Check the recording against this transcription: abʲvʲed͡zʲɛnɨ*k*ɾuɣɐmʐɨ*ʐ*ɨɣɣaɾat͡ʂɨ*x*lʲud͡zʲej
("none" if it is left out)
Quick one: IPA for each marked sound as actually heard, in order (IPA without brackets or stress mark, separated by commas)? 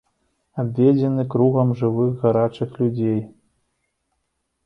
k, v, x